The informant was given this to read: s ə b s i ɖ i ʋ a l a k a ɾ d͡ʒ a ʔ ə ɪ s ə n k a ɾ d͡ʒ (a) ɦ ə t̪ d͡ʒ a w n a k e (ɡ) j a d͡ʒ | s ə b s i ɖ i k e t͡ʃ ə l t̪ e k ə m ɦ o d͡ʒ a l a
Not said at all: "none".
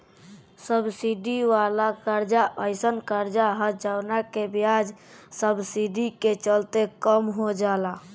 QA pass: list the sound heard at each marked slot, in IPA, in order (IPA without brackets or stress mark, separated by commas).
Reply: a, b